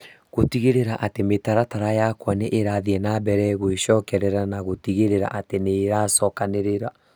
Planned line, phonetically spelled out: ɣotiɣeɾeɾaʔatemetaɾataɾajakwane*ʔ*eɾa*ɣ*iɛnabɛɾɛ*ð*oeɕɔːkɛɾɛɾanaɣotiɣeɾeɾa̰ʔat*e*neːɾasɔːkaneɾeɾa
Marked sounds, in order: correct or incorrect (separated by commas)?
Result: correct, incorrect, incorrect, correct